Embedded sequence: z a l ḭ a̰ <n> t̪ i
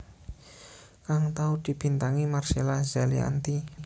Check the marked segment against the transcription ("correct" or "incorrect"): correct